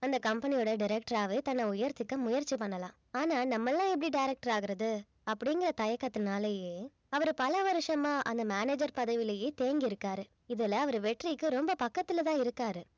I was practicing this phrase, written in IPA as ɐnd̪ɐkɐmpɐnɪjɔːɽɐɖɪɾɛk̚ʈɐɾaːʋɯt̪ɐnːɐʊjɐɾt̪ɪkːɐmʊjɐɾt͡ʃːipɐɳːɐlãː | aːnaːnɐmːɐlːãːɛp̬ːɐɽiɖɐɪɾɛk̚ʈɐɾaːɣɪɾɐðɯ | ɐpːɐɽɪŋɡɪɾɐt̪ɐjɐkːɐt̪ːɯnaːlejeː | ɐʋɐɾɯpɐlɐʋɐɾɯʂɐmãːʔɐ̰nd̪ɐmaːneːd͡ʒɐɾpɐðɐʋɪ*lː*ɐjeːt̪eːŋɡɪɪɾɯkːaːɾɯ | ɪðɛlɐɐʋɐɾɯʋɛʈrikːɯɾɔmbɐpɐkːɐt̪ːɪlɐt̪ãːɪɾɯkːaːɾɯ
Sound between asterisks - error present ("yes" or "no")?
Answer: yes